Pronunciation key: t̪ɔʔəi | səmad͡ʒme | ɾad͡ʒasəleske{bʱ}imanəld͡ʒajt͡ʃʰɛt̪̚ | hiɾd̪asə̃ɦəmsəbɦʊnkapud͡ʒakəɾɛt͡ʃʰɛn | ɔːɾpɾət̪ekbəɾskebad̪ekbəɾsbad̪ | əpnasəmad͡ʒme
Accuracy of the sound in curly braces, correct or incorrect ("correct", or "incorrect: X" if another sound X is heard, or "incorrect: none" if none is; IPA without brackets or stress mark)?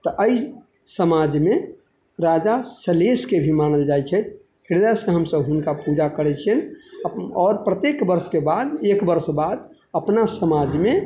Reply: correct